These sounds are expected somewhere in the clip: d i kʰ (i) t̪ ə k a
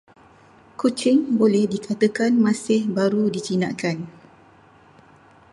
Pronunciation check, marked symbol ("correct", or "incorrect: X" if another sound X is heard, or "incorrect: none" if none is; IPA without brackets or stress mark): incorrect: a